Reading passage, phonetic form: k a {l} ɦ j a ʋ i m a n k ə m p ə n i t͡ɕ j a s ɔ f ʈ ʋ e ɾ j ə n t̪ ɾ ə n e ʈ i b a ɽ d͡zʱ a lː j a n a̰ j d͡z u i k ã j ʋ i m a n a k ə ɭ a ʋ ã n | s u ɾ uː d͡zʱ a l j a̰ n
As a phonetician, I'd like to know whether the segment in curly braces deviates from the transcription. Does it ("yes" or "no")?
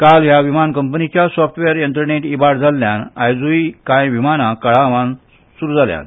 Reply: no